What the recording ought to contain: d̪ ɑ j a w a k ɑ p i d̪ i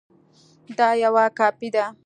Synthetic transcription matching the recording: d̪ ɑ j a w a k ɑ p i d̪ a